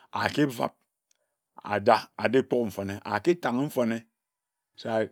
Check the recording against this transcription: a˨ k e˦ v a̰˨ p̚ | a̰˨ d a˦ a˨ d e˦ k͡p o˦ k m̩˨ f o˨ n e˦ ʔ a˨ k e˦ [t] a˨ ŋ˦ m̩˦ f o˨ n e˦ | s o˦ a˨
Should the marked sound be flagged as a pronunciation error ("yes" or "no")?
no